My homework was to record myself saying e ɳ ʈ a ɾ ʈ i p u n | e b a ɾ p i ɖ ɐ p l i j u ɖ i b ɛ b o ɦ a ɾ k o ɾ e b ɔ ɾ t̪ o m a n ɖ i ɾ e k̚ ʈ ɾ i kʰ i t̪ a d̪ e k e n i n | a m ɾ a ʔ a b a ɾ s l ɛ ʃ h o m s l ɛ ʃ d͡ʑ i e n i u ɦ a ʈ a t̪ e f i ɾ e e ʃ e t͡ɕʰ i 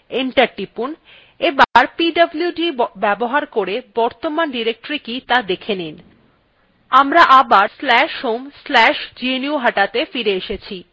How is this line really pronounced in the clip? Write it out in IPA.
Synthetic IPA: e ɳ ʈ a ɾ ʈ i p u n | e b a ɾ p i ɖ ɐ b l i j u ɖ i b ɛ b o ɦ a ɾ k o ɾ e b ɔ ɾ t̪ o m a n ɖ i ɾ e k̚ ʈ ɾ i k i t̪ a d̪ e kʰ e n i n | a m ɾ a ʔ a b a ɾ s l ɛ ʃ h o m s l ɛ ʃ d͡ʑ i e n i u ɦ a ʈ a t̪ e f i ɾ e e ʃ e t͡ɕʰ i

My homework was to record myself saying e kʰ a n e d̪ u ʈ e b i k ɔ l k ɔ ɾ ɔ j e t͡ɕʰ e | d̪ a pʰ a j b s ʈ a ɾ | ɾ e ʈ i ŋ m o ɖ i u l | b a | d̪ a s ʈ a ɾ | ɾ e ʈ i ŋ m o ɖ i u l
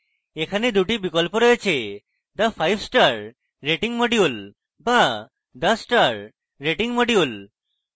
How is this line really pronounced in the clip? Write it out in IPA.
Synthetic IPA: e kʰ a n e d̪ u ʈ i b i k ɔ l p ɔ ɾ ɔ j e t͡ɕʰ e | d̪ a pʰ a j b s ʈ a ɾ | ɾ e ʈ i ŋ m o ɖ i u l | b a | d̪ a s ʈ a ɾ | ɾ e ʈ i ŋ m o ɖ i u l

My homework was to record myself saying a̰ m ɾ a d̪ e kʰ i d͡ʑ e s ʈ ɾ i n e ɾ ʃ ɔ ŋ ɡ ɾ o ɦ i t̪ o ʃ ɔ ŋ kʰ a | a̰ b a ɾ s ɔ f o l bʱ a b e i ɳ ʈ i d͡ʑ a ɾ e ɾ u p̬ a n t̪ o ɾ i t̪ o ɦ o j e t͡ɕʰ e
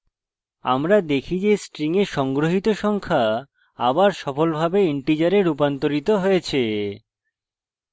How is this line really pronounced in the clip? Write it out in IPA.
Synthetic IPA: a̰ m ɾ a d̪ e kʰ i d͡ʑ e s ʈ ɾ i ŋ e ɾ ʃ ɔ ŋ ɡ ɾ o ɦ i t̪ o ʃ ɔ ŋ kʰ a | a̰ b a ɾ ʃ ɔ f o l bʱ a b e i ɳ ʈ i d͡ʑ a ɾ e ɾ u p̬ a n t̪ o ɾ i t̪ o ɦ o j e t͡ɕʰ e

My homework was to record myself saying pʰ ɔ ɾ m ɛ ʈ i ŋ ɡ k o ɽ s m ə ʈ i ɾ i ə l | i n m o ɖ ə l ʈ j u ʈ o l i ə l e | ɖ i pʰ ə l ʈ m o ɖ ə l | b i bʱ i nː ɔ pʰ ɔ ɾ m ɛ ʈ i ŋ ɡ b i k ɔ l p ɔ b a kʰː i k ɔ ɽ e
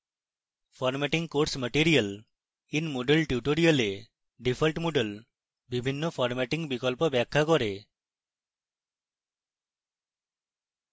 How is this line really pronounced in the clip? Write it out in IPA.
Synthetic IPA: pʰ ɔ ɾ m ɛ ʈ i ŋ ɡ k o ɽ s m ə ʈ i ɾ i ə l | i n m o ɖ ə l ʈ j u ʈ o ɾ i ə l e | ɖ i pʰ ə l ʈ m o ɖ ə l | b i bʱ i nː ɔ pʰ ɔ ɾ m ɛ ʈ i ŋ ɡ b i k ɔ l p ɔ b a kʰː a k ɔ ɾ e

